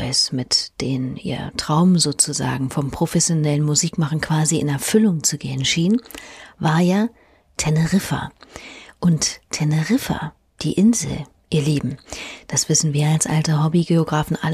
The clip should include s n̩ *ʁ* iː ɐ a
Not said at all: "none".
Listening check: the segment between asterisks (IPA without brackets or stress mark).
v